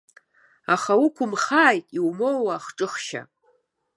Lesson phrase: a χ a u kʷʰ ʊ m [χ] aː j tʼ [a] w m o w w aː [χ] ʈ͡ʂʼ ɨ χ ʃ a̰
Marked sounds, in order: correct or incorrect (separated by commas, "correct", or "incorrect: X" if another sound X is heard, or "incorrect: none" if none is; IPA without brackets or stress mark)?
correct, incorrect: i, correct